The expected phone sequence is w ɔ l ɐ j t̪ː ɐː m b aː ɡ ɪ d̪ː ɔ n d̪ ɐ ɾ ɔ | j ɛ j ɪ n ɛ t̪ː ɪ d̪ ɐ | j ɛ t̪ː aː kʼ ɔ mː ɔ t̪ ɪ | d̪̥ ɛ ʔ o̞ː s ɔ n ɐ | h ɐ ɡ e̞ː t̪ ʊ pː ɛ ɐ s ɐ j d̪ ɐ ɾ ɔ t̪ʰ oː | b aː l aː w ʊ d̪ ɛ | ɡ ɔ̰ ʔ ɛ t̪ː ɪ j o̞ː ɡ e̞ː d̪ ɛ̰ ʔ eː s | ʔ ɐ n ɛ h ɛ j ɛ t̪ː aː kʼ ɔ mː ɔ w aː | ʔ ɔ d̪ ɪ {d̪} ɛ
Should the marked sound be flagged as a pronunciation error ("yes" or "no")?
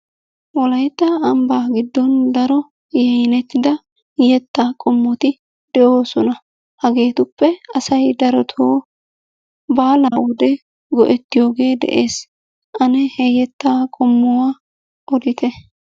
yes